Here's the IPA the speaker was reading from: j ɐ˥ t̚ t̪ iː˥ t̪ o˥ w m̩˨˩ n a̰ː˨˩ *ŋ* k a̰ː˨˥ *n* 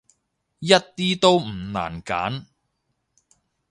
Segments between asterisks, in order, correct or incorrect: incorrect, correct

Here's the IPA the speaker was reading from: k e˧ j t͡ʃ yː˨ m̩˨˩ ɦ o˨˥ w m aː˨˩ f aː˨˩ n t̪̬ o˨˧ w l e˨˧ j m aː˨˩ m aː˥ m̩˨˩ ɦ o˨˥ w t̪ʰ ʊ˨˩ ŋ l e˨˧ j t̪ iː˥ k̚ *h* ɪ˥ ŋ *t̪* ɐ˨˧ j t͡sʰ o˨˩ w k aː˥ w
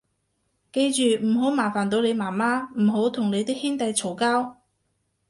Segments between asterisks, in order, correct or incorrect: correct, correct

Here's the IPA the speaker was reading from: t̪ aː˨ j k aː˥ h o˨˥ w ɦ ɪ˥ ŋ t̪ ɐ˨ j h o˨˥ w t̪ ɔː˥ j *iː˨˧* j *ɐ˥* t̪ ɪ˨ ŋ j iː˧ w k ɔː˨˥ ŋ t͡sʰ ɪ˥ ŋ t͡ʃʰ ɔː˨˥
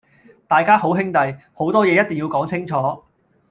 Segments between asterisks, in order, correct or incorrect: incorrect, correct

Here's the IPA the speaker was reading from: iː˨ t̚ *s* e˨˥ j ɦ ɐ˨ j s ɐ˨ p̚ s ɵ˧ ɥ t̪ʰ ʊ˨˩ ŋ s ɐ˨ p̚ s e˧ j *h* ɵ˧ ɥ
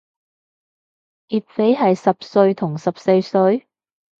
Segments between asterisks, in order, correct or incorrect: incorrect, incorrect

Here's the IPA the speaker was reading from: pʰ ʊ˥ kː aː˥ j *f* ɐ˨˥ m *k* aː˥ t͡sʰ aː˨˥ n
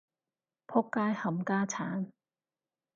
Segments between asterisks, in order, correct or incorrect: incorrect, correct

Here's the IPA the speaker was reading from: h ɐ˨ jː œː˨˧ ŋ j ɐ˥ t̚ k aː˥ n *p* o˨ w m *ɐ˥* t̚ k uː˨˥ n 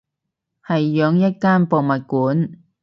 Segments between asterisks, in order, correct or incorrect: correct, incorrect

